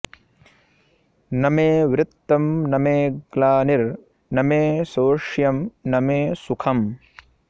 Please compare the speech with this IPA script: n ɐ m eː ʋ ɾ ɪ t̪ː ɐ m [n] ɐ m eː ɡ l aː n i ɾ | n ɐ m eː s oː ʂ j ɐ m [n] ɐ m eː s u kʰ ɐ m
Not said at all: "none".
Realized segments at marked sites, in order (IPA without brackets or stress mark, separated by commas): n, n